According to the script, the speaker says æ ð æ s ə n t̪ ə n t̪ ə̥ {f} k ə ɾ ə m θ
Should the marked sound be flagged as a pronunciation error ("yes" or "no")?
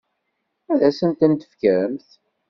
no